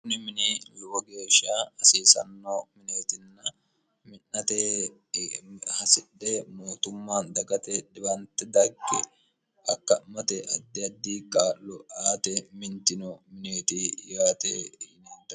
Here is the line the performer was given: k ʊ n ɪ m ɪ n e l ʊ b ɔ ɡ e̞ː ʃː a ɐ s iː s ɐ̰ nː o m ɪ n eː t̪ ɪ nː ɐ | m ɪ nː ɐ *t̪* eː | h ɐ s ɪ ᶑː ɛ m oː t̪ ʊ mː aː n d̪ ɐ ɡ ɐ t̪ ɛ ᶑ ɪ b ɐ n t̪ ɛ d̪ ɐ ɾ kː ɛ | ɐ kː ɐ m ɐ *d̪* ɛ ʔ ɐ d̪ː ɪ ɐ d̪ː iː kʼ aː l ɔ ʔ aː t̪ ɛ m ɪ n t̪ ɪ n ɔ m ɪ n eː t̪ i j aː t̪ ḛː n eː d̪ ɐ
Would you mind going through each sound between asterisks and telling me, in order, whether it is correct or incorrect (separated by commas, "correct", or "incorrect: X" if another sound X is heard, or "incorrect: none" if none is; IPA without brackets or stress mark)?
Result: correct, incorrect: t̪